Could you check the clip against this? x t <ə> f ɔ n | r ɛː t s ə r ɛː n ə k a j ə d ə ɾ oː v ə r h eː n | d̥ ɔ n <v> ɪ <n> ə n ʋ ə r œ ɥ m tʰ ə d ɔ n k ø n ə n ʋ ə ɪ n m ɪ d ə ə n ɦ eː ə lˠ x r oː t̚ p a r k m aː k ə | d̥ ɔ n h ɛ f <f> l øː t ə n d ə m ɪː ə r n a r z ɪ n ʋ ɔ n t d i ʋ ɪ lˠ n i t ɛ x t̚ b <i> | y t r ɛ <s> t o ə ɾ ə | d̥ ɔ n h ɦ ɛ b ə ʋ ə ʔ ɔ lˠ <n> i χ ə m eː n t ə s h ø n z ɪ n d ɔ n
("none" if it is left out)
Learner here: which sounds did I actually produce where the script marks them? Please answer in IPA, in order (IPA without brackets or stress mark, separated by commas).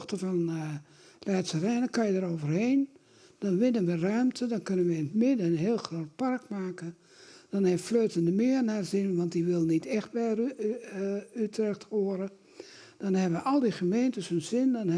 ə, ʋ, n, f, ɛ, x, d